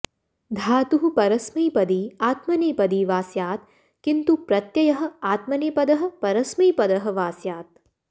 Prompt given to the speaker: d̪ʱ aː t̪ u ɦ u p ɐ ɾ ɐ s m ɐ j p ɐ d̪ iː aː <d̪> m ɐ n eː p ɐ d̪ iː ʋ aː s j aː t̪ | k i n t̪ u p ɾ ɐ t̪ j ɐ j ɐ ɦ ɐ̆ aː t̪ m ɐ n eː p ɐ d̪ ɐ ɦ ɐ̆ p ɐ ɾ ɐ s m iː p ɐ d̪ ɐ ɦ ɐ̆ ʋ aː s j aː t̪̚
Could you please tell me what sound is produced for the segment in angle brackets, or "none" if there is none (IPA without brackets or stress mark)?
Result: t̪